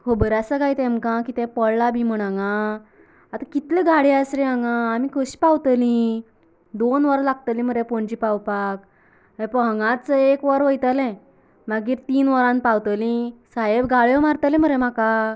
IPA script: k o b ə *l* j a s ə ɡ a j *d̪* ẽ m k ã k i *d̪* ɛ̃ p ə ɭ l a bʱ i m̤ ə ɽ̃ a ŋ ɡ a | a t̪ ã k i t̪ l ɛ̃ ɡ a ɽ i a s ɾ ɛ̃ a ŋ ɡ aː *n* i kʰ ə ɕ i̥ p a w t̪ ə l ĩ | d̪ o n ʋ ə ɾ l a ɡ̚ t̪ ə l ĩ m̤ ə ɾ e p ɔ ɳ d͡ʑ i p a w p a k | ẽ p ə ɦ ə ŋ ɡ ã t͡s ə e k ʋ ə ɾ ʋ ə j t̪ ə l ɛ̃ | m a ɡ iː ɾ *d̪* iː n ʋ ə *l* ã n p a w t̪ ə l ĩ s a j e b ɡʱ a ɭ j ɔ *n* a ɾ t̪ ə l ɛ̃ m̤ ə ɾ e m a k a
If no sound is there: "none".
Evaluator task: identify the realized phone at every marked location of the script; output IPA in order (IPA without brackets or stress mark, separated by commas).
ɾ, t̪, t̪, m, t̪, ɾ, m